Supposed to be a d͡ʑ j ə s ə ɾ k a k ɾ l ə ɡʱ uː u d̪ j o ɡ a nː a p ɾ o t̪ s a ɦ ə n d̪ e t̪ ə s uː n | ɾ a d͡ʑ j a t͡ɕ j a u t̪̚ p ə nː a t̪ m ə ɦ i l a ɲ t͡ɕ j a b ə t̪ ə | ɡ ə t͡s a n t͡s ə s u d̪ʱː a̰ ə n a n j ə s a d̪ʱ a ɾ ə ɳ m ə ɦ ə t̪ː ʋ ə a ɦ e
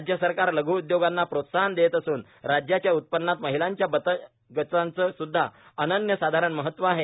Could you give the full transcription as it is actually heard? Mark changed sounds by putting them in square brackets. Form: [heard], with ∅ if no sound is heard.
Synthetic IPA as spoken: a d͡ʑ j ə s ə ɾ k a [∅] ɾ l ə ɡʱ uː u d̪ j o ɡ a nː a p ɾ o t̪ s a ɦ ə n d̪ e t̪ ə s uː n | ɾ a d͡ʑ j a t͡ɕ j a u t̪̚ p ə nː a t̪ m ə ɦ i l a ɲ t͡ɕ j a b ə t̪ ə | ɡ ə t͡s a n t͡s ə s u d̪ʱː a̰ ə n [ə] n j ə s a d̪ʱ a ɾ ə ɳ m ə ɦ ə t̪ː ʋ ə a ɦ e